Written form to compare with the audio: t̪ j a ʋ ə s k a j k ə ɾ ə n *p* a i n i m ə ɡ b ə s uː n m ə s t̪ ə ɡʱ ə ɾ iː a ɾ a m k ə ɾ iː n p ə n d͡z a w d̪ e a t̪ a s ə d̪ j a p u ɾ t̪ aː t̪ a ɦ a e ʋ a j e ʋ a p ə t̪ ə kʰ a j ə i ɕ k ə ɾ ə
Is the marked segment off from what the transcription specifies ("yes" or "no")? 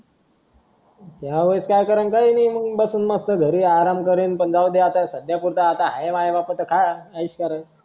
yes